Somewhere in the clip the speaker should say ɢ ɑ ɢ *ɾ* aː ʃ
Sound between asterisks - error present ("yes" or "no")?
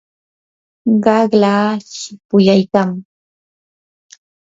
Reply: yes